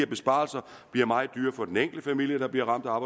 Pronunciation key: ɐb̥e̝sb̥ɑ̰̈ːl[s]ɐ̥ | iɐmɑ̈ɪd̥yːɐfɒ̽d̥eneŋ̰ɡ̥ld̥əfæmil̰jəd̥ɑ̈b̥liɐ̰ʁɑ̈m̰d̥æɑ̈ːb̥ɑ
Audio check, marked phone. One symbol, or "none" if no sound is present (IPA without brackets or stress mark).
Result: s